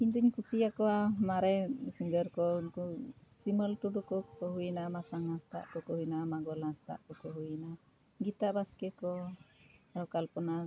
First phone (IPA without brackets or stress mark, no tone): i